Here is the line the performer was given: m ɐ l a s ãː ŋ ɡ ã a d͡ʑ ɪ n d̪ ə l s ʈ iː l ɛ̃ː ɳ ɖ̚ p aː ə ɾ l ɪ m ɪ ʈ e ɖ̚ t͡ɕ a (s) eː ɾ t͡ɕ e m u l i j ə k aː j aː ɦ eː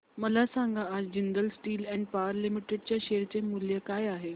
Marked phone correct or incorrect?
incorrect